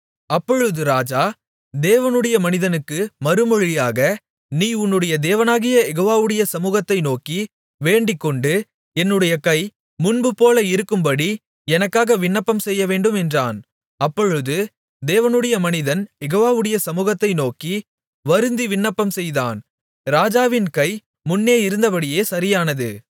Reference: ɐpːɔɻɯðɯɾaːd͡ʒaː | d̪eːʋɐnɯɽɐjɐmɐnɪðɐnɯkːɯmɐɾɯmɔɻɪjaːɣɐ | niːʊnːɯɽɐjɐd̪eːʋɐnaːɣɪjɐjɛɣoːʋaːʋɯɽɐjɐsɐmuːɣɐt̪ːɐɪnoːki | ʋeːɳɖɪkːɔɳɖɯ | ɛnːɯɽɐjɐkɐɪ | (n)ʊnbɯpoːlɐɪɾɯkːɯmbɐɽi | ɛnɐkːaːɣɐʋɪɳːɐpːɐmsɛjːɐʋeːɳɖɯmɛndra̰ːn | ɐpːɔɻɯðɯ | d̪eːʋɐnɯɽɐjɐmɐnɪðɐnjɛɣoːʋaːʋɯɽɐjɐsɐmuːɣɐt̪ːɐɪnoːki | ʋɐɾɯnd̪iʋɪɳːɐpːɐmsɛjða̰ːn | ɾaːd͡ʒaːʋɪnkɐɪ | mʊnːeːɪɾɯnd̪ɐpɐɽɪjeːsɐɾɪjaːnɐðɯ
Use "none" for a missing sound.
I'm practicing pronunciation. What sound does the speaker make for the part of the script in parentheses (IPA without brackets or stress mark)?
m